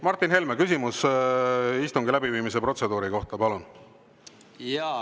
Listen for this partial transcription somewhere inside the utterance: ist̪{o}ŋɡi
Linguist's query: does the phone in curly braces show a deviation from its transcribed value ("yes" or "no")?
yes